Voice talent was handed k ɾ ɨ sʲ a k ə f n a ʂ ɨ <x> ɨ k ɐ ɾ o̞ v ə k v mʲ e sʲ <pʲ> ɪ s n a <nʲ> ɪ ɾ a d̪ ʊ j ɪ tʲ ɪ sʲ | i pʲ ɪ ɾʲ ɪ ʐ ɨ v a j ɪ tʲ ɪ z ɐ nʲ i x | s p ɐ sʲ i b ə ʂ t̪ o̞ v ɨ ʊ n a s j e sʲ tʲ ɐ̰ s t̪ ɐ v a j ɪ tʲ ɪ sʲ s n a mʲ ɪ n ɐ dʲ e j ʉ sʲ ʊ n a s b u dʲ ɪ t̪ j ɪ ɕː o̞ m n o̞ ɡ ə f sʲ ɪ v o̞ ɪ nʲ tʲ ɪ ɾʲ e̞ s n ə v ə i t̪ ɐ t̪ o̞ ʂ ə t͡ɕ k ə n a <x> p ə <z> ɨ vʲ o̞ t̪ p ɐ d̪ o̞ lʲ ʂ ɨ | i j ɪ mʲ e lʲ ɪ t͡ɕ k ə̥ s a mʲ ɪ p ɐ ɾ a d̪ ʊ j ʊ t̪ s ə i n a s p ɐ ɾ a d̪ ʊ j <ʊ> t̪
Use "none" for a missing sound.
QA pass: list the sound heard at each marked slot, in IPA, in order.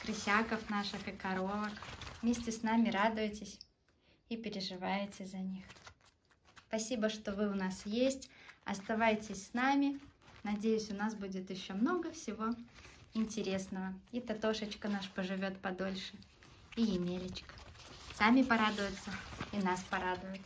x, tʲ, mʲ, ʂ, ʐ, ʊ

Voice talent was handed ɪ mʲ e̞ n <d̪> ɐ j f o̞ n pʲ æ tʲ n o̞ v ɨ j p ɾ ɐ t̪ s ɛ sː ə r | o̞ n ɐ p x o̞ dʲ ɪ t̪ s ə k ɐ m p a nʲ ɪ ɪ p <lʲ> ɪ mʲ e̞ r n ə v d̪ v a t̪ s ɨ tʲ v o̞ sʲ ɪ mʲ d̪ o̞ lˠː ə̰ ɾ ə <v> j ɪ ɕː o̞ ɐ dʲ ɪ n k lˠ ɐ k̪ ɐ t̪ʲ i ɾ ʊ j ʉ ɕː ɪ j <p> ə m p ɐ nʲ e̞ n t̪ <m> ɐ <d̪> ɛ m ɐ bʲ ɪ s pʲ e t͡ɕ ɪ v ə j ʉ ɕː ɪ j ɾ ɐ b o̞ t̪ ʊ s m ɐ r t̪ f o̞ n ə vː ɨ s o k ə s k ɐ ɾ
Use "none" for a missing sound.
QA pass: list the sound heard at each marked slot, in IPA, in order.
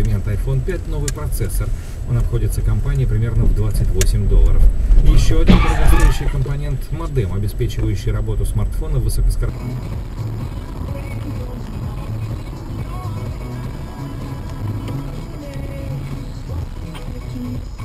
t̪, ɾʲ, f, k, m, d̪

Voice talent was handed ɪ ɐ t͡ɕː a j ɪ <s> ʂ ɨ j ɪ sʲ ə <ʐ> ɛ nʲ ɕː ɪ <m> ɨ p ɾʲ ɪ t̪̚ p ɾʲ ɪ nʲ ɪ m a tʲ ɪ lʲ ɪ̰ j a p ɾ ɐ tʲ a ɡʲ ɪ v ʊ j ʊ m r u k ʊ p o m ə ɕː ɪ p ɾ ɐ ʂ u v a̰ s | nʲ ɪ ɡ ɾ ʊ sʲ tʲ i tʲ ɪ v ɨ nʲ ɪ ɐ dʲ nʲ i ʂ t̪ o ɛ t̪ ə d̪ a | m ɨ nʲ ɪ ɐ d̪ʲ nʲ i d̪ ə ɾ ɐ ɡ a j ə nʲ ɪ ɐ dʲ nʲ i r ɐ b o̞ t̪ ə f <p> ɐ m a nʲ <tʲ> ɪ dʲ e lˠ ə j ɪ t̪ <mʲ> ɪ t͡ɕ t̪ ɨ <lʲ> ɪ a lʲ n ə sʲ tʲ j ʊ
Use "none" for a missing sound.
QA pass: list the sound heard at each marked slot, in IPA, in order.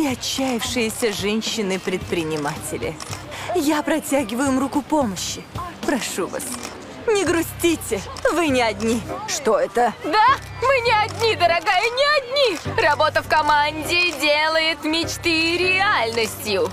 f, ʐ, n, k, dʲ, mʲ, ɾʲ

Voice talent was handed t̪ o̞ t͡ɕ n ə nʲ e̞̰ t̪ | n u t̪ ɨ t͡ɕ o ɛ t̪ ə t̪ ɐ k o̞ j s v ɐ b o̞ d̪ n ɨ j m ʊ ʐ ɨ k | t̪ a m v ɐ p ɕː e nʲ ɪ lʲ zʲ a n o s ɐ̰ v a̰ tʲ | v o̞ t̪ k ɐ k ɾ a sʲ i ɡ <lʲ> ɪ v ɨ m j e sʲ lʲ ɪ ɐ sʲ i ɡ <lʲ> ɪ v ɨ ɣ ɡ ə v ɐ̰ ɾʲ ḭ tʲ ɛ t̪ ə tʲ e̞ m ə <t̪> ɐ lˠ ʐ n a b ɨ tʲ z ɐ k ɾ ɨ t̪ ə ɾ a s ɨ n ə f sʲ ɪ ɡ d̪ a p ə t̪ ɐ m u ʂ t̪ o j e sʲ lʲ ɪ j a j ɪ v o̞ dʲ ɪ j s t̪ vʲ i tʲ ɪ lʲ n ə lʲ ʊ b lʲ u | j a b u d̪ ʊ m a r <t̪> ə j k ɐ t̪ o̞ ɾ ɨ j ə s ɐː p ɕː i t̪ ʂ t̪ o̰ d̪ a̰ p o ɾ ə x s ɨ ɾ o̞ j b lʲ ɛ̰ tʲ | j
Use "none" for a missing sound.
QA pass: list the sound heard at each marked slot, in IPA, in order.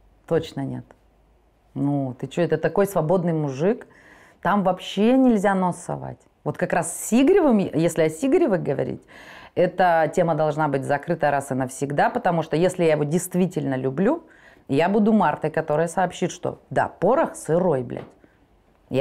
ɾʲ, ɾʲ, d̪, t̪

